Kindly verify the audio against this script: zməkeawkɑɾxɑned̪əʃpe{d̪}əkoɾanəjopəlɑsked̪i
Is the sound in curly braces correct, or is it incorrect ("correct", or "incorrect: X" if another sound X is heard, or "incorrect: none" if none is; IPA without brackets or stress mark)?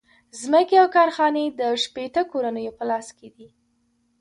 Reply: incorrect: t̪